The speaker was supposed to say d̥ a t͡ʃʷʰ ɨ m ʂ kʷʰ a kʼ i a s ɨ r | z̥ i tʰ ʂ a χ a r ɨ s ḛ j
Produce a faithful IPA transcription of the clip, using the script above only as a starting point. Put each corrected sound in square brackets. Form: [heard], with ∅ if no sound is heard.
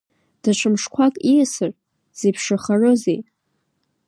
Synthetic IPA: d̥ a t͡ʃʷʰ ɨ m ʂ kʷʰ a kʼ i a s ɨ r | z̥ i [pʰ] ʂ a χ a r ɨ [z] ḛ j